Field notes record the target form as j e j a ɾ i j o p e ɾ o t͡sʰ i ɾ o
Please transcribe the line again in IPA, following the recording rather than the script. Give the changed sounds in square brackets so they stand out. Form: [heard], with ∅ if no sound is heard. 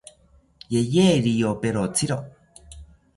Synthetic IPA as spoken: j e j [e] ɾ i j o p e ɾ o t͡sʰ i ɾ o